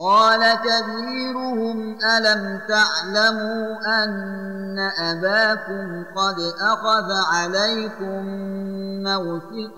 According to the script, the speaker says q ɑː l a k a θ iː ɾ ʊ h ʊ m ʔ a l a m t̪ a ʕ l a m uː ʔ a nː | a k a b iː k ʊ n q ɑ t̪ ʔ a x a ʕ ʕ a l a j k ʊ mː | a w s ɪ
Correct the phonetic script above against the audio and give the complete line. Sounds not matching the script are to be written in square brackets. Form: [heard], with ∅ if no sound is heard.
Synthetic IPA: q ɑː l a k a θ iː ɾ ʊ h ʊ m ʔ a l a m t̪ a ʕ l a m uː ʔ a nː | a [ʔ] a b [aː] k ʊ [m] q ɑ [d̪] ʔ a x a [ð] ʕ a l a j k ʊ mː | a w s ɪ